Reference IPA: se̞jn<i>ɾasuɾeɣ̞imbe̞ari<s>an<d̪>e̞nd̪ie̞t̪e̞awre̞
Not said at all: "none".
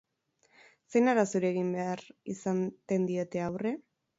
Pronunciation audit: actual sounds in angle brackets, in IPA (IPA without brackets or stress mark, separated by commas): a, s, t̪